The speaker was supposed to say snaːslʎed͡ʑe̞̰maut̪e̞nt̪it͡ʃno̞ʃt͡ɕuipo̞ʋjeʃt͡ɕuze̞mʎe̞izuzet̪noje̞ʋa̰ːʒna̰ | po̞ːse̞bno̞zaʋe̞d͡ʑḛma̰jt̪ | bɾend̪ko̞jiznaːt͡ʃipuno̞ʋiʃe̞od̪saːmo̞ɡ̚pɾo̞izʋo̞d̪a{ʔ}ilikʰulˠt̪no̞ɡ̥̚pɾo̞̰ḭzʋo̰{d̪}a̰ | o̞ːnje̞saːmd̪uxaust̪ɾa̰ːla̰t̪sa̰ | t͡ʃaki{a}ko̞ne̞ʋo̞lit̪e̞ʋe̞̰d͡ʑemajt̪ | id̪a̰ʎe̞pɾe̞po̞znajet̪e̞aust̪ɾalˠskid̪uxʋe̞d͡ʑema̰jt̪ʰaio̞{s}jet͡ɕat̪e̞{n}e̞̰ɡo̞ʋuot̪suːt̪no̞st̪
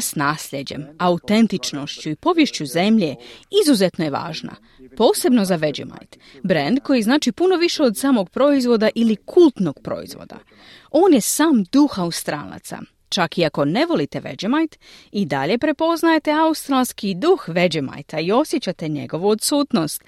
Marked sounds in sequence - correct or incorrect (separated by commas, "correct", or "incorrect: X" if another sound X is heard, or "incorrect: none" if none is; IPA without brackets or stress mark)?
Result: correct, correct, correct, correct, incorrect: ɲ